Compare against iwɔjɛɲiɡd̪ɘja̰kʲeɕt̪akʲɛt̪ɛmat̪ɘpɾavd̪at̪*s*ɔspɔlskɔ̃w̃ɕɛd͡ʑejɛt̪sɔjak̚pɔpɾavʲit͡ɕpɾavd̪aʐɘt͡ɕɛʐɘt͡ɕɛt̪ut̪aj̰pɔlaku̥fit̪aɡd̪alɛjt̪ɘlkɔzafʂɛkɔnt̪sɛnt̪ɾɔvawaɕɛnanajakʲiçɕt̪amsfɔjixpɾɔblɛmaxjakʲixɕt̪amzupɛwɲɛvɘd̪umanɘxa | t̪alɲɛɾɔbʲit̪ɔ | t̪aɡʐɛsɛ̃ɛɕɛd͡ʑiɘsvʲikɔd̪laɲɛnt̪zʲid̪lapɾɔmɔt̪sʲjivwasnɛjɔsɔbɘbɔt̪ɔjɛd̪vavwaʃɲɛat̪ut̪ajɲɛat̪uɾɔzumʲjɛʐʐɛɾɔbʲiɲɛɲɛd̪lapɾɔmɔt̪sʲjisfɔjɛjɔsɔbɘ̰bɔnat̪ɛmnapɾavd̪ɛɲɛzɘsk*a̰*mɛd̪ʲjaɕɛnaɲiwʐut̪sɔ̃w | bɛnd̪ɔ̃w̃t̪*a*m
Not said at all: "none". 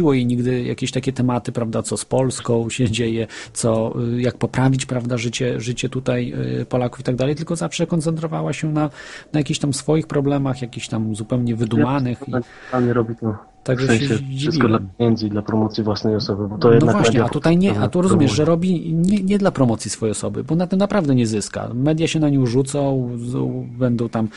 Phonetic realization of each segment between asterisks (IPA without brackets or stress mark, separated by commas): s, a̰, a